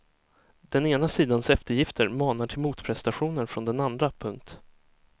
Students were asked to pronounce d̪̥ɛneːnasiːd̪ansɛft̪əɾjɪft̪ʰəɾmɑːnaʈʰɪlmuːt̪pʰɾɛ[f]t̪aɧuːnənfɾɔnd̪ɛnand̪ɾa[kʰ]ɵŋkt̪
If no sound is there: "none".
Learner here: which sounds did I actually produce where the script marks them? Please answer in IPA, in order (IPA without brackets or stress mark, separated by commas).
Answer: s, pʰ